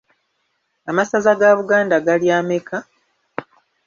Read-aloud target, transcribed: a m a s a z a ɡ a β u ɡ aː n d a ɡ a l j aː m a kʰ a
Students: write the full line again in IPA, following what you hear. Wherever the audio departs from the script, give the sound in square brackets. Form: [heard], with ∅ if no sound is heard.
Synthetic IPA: a m a s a z a ɡ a β u ɡ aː n d a ɡ a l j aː m [e] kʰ a